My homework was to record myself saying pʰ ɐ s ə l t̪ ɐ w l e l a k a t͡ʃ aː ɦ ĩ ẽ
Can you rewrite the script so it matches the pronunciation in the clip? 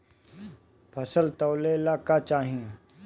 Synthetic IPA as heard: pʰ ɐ s ə l t̪ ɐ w l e l a k a t͡ʃ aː ɦ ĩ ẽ